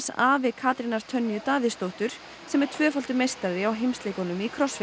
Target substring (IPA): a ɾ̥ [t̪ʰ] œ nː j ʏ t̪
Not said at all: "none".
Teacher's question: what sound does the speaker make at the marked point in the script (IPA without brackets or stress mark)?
t̪ʰ